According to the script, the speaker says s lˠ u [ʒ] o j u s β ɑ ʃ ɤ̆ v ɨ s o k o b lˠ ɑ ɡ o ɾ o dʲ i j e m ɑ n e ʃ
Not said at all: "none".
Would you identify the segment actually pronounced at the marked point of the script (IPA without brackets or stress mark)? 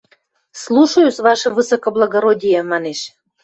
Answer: ʃ